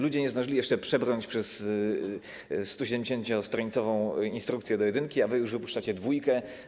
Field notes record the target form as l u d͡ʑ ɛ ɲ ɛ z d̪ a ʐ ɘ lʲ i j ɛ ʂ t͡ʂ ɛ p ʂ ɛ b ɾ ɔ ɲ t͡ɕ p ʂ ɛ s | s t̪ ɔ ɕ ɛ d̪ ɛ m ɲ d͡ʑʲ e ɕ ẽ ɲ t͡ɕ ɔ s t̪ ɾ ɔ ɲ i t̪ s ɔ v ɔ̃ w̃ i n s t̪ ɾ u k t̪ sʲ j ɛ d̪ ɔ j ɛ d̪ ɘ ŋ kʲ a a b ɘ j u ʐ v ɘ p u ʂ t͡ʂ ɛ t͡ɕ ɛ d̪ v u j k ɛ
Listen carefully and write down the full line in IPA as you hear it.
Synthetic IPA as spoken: l u d͡ʑ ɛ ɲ ɛ z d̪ a ʐ ɘ lʲ i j ɛ ʂ t͡ʂ ɛ p ʂ ɛ b ɾ ɔ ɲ t͡ɕ p ʂ ɛ s | s t̪ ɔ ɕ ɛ d̪ ɛ m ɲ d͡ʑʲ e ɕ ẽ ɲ t͡ɕ ɔ s t̪ ɾ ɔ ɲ i t̪ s ɔ v ɔ̃ w̃ i n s t̪ ɾ u k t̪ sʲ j ɛ d̪ ɔ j ɛ d̪ ɘ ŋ kʲ i a v ɘ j u ʐ v ɘ p u ʂ t͡ʂ a t͡ɕ ɛ d̪ v u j k ɛ